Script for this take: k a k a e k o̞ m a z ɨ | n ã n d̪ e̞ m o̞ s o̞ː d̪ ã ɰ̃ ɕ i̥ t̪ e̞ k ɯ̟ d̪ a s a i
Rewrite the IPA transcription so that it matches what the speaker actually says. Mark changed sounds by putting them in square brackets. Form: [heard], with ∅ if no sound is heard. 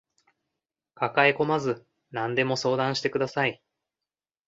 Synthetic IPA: k a k a e k o̞ m a z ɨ | n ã n d̪ e̞ m o̞ s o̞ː d̪ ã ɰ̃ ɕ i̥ t̪ e̞ k ɯ̟ d̪ a s a i